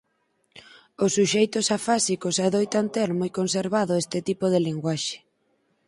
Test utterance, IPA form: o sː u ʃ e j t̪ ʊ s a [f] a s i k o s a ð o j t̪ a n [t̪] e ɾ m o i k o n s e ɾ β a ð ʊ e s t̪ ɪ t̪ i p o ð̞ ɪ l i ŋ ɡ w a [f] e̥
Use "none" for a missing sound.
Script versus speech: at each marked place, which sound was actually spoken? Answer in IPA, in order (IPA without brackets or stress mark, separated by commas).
f, t̪, ʃ